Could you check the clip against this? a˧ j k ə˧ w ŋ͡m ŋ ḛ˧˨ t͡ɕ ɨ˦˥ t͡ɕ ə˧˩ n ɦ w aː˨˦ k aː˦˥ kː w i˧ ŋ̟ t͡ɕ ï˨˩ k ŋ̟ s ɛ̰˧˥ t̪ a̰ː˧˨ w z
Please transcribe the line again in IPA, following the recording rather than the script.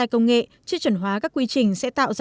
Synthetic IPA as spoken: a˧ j k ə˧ w ŋ͡m ŋ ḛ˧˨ t͡ɕ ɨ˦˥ t͡ɕ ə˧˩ n ɦ w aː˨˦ k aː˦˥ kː w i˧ t͡ɕ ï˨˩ ŋ̟ s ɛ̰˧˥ t̪ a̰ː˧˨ w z

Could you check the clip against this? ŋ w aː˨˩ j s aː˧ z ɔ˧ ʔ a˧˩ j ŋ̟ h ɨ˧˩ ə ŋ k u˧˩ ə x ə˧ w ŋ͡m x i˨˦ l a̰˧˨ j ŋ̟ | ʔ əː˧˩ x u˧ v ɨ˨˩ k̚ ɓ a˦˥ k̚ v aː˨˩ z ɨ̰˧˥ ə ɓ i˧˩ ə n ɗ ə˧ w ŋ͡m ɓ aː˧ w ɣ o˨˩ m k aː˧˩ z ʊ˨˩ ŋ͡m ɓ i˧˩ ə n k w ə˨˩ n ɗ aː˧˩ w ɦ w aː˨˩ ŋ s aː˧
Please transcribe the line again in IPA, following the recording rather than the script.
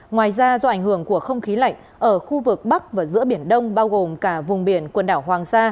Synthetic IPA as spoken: ŋ w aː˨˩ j z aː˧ z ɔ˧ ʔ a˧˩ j ŋ̟ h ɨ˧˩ ə ŋ k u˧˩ ə x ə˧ w ŋ͡m x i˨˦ l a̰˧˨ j ŋ̟ | ʔ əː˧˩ x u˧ v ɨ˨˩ k̚ ɓ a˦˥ k̚ v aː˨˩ z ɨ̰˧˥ ə ɓ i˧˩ ə n ɗ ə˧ w ŋ͡m ɓ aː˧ w ɣ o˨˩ m k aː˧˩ v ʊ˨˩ ŋ͡m ɓ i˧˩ ə n k w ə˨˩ n ɗ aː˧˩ w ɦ w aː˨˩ ŋ s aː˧

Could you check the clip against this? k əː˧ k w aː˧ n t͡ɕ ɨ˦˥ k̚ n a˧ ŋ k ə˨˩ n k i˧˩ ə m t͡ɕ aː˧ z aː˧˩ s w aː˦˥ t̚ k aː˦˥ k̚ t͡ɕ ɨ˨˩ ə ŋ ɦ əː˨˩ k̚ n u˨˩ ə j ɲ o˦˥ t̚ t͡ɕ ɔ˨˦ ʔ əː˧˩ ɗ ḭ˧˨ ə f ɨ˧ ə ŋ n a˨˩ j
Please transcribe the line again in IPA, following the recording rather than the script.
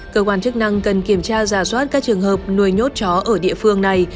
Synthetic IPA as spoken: k əː˧ k w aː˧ n t͡ɕ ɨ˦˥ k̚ n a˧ ŋ k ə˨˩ n k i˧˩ ə m t͡ɕ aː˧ z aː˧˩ s w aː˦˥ t̚ k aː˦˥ k̚ t͡ɕ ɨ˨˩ ə ŋ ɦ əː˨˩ p̚ n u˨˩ ə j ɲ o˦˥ t̚ t͡ɕ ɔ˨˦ ʔ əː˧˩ ɗ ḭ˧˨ ə f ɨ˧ ə ŋ n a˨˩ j

